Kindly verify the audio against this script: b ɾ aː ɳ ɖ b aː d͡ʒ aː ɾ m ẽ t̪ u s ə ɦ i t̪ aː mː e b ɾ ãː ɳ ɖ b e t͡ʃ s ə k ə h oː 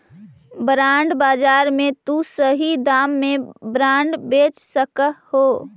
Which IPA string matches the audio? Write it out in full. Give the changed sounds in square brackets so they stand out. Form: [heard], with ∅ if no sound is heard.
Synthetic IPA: b ɾ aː ɳ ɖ b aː d͡ʒ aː ɾ m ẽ t̪ u s ə ɦ i [d̪] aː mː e b ɾ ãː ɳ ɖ b e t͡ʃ s ə k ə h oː